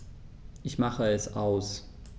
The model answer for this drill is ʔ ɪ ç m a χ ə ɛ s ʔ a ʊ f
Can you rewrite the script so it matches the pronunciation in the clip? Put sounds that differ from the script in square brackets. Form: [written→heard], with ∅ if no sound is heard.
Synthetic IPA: ʔ ɪ ç m a χ ə ɛ s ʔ a ʊ [f→s]